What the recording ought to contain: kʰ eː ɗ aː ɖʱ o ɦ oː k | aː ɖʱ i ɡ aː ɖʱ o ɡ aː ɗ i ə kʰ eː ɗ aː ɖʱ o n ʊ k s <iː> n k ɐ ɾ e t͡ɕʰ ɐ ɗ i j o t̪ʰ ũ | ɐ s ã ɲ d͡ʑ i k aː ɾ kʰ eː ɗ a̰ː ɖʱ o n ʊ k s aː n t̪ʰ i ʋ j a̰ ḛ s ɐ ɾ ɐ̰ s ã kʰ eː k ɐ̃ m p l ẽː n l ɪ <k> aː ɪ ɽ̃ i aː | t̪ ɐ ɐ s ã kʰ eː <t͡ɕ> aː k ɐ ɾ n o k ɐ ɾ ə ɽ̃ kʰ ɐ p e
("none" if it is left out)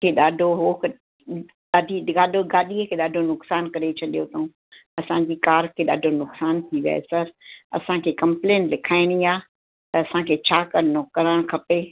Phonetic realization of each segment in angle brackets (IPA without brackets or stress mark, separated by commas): aː, kʰ, t͡ɕʰ